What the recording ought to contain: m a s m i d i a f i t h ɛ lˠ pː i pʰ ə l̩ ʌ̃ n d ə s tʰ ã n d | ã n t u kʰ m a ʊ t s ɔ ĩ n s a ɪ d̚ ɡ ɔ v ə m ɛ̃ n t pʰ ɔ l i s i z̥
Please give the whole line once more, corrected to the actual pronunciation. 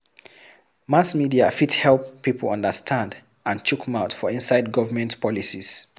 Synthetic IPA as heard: m a s m i d i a f i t h ɛ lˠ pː i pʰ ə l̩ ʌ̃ n d ə s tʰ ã n d | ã n t͡ʃ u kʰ m a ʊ t f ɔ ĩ n s a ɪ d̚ ɡ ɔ v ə m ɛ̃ n t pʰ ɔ l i s i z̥